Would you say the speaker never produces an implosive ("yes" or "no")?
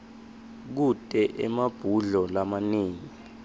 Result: yes